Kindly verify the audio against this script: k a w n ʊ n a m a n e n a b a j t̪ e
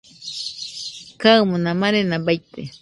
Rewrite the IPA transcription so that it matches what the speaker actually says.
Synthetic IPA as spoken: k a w m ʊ n a m a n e n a b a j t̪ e